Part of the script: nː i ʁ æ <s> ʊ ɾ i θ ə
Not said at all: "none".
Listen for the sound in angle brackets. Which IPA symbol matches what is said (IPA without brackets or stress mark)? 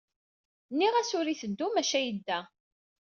s